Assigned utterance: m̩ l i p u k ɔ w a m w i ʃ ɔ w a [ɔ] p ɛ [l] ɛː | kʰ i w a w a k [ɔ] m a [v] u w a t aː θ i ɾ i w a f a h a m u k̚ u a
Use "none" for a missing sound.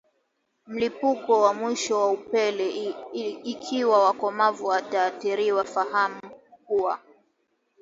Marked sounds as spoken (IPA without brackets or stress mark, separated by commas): u, l, ɔ, v